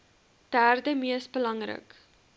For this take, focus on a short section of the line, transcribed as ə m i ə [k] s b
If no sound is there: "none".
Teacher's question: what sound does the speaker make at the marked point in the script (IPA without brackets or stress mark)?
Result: none